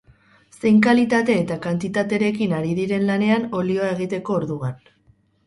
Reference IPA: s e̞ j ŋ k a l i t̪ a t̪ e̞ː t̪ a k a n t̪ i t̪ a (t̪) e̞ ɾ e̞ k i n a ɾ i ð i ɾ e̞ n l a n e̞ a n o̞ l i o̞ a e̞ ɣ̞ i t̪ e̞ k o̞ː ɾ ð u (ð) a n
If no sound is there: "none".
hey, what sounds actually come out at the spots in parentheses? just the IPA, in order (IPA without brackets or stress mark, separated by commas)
t̪, ɣ